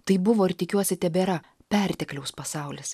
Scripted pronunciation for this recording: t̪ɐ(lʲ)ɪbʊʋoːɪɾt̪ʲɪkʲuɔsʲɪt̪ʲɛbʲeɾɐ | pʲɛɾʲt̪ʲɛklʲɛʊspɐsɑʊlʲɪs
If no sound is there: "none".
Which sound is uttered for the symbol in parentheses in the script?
none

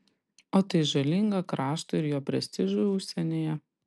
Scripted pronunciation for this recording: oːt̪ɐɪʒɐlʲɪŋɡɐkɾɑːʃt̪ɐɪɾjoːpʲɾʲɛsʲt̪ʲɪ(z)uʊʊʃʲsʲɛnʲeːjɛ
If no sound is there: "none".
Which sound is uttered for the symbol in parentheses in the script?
ʒ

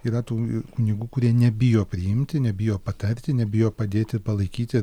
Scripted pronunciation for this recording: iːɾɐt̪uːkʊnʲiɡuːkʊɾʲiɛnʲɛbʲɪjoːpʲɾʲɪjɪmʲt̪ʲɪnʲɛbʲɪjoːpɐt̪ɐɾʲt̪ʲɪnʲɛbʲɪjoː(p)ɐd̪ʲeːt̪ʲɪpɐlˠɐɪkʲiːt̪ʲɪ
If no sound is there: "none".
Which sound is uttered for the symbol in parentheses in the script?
p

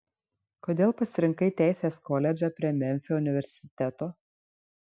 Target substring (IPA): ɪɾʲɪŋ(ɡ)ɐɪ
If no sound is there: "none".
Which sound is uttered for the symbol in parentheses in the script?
k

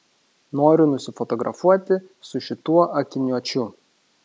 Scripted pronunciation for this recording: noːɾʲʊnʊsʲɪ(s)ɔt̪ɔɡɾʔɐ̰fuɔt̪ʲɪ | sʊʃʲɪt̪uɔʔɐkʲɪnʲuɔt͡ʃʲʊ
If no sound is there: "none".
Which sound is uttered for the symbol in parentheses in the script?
f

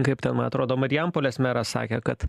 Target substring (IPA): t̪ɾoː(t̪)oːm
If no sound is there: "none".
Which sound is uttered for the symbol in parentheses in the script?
d̪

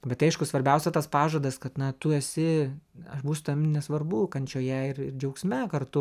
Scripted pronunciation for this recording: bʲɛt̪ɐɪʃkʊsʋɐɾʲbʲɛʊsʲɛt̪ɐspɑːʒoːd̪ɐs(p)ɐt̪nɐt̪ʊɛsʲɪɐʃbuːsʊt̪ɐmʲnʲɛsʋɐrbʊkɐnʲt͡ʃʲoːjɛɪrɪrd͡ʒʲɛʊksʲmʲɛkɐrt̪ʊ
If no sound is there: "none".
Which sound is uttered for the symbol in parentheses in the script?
k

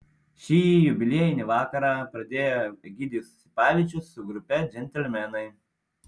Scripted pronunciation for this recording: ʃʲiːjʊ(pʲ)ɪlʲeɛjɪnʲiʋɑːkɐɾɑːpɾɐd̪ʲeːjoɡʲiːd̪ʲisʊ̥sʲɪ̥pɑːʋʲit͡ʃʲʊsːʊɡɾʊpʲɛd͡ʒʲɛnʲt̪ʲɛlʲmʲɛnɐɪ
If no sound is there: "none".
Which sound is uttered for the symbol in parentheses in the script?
bʲ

